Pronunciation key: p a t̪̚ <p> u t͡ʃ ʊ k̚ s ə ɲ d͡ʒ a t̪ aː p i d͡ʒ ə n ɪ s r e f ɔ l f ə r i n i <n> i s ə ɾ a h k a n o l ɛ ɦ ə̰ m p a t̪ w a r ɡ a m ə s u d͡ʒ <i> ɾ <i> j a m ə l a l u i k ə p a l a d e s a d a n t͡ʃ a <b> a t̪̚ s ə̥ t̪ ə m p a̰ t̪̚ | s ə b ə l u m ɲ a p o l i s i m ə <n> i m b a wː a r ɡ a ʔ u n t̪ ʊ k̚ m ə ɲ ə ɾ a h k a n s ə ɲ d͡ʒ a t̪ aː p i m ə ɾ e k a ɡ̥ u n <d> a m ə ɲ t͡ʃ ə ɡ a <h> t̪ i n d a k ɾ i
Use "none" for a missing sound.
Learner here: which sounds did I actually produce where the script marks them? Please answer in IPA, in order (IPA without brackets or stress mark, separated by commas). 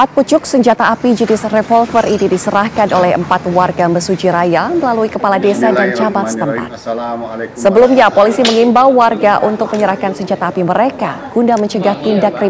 p, d, i, a, b, ŋ, d, h